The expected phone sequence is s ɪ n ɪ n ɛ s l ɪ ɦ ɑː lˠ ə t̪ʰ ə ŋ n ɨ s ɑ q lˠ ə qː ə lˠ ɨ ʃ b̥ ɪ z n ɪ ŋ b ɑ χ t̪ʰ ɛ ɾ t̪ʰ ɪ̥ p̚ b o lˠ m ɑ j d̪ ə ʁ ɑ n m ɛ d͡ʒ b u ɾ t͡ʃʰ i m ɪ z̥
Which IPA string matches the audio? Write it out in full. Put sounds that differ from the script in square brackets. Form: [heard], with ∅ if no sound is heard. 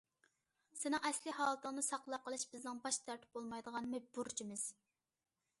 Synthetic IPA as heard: s ɪ n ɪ [ŋ] ɛ s l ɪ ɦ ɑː lˠ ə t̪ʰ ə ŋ n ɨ s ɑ q lˠ [ɑ] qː ə lˠ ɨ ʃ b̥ ɪ z n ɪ ŋ b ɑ [ʃ] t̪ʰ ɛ ɾ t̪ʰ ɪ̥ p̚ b o lˠ m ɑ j d̪ ə ʁ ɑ n m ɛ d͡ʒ b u ɾ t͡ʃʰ i m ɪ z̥